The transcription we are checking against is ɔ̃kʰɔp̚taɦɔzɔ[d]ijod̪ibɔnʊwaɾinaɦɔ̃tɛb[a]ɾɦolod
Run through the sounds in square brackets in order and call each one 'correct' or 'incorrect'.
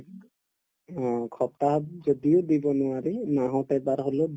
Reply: correct, correct

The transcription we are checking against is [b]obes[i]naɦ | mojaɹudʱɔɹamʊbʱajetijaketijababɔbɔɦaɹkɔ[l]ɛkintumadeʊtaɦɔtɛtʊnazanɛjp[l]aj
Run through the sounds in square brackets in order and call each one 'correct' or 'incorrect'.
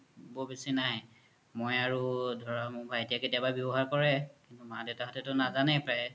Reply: correct, correct, incorrect: ɹ, incorrect: ɹ

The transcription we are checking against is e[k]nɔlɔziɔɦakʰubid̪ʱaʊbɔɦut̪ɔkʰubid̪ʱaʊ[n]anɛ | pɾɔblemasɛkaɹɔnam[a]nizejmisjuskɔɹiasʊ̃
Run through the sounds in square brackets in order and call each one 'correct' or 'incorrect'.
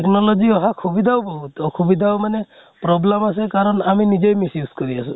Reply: correct, incorrect: m, incorrect: i

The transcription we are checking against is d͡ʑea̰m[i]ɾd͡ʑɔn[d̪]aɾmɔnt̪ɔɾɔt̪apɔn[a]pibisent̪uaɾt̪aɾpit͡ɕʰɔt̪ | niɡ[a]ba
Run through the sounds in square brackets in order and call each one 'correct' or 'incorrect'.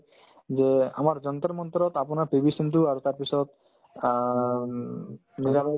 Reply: incorrect: a, incorrect: t̪, correct, correct

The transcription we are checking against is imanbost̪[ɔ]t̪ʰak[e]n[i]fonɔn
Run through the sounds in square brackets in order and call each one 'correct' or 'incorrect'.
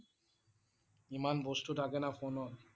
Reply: incorrect: u, correct, incorrect: a

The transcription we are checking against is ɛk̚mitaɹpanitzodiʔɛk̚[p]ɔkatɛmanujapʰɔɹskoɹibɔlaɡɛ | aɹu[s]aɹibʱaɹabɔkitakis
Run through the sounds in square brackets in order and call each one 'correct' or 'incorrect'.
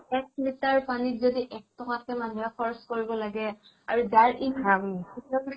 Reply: incorrect: t, incorrect: z

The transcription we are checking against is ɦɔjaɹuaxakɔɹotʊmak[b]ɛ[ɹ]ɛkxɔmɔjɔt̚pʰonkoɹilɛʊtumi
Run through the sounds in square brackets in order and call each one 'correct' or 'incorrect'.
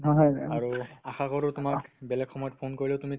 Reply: correct, incorrect: l

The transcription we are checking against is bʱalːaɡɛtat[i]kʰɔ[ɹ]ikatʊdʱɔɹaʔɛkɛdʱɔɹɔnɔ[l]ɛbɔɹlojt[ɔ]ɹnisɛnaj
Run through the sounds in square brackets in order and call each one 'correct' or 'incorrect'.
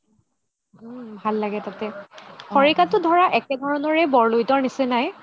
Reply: incorrect: ɛ, correct, incorrect: ɹ, correct

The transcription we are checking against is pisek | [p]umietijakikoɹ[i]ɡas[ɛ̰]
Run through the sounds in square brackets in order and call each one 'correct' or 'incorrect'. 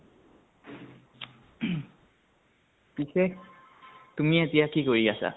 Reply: incorrect: t, correct, incorrect: a̰

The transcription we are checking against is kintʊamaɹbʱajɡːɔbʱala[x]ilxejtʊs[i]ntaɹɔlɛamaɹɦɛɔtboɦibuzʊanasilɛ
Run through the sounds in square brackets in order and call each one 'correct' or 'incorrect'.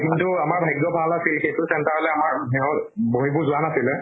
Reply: incorrect: s, incorrect: ɛ

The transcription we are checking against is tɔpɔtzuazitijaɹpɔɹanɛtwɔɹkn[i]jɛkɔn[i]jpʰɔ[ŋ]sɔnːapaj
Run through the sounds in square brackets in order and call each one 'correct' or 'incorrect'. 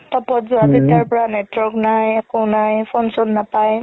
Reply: incorrect: a, incorrect: a, incorrect: n

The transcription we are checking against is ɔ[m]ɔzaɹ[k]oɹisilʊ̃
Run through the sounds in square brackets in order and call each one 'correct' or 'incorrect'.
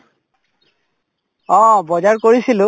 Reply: incorrect: b, correct

